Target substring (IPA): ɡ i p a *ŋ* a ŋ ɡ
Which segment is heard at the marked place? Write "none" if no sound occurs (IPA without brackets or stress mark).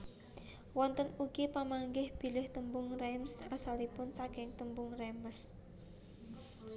m